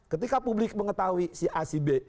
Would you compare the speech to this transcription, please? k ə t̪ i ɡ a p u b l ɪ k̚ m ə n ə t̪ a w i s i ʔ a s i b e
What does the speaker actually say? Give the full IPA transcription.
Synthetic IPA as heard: k ə t̪ i k a p u b l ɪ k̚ m ə ŋ ə t̪ a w i s i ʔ a s i b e